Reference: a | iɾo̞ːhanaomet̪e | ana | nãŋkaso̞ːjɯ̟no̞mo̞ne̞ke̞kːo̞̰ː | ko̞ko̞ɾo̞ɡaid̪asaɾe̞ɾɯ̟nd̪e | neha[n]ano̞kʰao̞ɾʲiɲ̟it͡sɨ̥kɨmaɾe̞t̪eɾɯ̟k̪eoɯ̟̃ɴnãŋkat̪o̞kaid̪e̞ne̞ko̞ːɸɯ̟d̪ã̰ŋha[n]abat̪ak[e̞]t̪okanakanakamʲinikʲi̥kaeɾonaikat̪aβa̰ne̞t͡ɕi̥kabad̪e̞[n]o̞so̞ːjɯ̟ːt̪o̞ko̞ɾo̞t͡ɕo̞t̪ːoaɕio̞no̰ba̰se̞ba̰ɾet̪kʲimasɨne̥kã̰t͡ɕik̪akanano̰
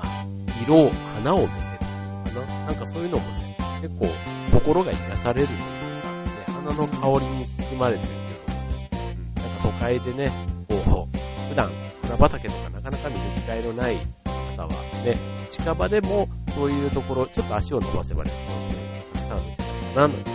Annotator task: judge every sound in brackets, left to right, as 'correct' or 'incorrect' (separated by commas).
correct, correct, correct, incorrect